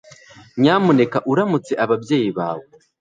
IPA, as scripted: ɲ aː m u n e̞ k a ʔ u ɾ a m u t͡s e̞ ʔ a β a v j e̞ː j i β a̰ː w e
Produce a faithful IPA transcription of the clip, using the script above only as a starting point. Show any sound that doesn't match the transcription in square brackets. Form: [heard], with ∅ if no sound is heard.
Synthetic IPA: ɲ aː m u n e̞ k a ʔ u ɾ a m u t͡s e̞ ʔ a β a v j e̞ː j i β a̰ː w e